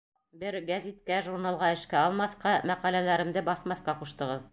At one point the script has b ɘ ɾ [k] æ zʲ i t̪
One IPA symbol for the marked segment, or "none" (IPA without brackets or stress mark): ɡ